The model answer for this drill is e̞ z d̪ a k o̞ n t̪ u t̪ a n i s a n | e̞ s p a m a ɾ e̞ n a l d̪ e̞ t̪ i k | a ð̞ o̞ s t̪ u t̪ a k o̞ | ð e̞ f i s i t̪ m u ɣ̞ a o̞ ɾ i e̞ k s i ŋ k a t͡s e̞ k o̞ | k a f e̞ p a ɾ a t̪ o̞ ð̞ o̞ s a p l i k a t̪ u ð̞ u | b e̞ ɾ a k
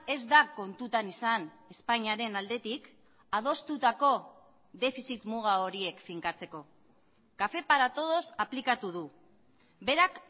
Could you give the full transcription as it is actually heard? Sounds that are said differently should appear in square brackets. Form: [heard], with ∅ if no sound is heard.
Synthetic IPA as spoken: e̞ z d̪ a k o̞ n t̪ u t̪ a n i s a n | e̞ s p a [ɲ] a ɾ e̞ n a l d̪ e̞ t̪ i k | a ð̞ o̞ s t̪ u t̪ a k o̞ | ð e̞ f i s i t̪ m u ɣ̞ a o̞ ɾ i e̞ k [f] i ŋ k a t͡s e̞ k o̞ | k a f e̞ p a ɾ a t̪ o̞ ð̞ o̞ s a p l i k a t̪ u ð̞ u | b e̞ ɾ a k